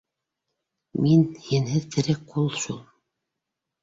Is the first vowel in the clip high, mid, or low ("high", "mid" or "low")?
high